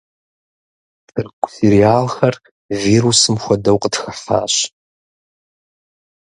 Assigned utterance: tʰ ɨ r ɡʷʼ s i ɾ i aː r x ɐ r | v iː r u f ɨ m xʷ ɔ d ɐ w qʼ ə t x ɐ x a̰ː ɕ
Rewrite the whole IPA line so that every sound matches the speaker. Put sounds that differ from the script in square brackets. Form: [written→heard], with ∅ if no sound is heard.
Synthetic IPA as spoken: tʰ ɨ r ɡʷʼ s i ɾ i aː [r→l] x ɐ r | v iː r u [f→s] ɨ m xʷ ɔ d ɐ w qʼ ə t x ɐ [x→ħ] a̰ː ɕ

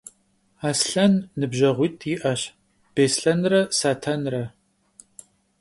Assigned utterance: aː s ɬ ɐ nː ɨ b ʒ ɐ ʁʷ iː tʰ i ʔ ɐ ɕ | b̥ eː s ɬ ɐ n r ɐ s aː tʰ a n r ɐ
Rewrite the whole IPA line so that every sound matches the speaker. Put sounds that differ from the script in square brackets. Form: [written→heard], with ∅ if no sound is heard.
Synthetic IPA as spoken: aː s ɬ ɐ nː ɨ b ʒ ɐ ʁʷ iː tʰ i ʔ ɐ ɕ | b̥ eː s ɬ ɐ n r ɐ s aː tʰ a n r ɐ

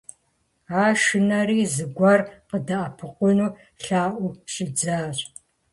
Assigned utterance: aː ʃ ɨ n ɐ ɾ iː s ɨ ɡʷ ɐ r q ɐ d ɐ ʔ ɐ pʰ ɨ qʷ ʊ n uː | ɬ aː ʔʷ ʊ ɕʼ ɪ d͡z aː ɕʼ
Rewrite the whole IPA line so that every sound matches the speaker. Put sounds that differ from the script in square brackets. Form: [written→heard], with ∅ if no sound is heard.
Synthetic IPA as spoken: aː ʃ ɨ n ɐ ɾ iː [s→z] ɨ ɡʷ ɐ r q [ɐ→ə] d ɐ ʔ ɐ pʰ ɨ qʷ ʊ n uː | ɬ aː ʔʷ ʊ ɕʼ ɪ d͡z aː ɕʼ

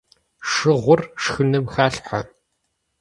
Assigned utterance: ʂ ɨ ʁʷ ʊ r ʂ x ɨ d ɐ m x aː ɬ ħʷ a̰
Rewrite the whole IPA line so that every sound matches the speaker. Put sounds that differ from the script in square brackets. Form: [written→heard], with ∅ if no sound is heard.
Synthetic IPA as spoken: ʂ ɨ ʁʷ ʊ r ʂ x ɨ [d→n] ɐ m x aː ɬ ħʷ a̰

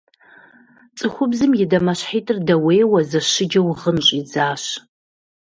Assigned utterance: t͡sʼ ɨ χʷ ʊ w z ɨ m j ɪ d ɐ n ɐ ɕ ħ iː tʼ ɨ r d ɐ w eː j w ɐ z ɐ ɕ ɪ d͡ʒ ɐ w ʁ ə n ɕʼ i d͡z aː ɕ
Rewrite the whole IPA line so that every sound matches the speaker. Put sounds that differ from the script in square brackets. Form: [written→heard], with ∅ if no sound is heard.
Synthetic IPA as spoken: t͡sʼ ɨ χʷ ʊ [w→b] z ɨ m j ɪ d ɐ [n→m] ɐ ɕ ħ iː tʼ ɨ r d ɐ w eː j w ɐ z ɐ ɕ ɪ d͡ʒ ɐ w ʁ ə n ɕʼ i d͡z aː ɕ

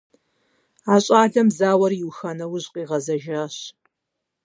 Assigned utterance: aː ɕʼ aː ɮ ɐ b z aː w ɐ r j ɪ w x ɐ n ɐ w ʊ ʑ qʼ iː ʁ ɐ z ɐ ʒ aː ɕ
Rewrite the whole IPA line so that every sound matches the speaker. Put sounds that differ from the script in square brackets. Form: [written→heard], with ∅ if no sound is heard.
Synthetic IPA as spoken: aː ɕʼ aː ɮ ɐ [b→m] z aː w ɐ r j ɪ w x ɐ n ɐ w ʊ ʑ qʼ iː ʁ ɐ z ɐ ʒ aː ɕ

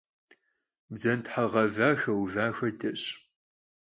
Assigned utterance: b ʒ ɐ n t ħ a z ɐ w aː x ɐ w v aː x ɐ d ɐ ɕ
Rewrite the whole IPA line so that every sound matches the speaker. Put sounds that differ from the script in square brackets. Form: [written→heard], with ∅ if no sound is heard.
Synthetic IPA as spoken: b [ʒ→z] ɐ n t ħ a [z→ʁ] ɐ [w→v] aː x ɐ w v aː x ɐ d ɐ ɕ

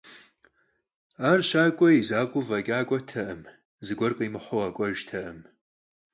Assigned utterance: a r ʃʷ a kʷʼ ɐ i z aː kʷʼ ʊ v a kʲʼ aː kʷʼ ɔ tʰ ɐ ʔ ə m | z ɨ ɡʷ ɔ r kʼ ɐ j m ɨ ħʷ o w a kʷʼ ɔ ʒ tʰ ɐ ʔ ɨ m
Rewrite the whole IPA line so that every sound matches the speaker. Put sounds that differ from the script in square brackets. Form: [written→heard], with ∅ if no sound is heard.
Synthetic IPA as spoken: a r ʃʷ a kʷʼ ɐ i z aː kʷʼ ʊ v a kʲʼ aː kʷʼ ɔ tʰ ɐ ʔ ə m | z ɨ ɡʷ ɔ r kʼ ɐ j m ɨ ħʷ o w a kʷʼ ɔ ʒ tʰ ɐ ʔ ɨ m

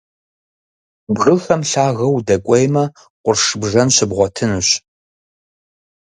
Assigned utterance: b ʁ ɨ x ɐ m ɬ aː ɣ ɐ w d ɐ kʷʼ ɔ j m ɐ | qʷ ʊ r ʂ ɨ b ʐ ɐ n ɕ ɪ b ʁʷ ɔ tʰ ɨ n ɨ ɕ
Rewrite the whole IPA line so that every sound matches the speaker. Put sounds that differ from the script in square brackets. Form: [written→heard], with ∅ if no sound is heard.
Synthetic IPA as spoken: b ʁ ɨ x ɐ m ɬ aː ɣ ɐ w d ɐ kʷʼ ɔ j m ɐ | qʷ ʊ r ʂ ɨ b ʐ ɐ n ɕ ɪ b ʁʷ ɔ tʰ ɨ n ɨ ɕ

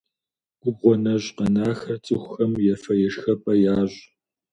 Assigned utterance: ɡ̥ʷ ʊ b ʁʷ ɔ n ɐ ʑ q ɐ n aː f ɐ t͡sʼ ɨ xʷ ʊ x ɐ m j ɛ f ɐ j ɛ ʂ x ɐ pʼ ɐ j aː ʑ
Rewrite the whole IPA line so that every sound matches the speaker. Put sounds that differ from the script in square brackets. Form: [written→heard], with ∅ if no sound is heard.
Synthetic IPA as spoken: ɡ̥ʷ ʊ b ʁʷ ɔ n ɐ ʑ q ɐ n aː [f→x] ɐ t͡sʼ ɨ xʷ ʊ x ɐ m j ɛ f ɐ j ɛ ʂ x ɐ pʼ ɐ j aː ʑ

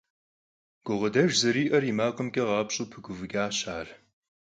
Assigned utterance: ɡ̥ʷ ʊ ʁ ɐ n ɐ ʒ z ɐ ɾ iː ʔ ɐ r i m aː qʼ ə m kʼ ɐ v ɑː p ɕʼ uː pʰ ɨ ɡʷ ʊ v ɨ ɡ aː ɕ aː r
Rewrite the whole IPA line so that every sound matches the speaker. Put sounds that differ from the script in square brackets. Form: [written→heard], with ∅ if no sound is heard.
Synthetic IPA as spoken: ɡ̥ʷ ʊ ʁ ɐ [n→d] ɐ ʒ z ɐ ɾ iː ʔ ɐ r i m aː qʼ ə m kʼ ɐ [v→ʁ] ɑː p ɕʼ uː pʰ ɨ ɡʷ ʊ v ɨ ɡ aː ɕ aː r

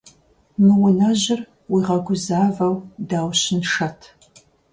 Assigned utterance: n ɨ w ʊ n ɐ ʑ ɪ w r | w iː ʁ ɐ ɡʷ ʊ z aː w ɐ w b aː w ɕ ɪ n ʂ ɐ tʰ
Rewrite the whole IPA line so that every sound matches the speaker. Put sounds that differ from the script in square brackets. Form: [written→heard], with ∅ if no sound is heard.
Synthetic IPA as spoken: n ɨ w ʊ n ɐ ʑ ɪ [w→∅] r | w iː ʁ ɐ ɡʷ ʊ z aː [w→v] ɐ w [b→d] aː w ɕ ɪ n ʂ ɐ tʰ

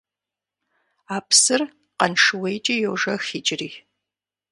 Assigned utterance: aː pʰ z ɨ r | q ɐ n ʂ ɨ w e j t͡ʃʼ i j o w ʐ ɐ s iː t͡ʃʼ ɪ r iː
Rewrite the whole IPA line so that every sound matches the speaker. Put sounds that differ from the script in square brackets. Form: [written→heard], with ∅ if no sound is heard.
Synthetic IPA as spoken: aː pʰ [z→s] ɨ r | q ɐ n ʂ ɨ w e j t͡ʃʼ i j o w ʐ ɐ [s→x] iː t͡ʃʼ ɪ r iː

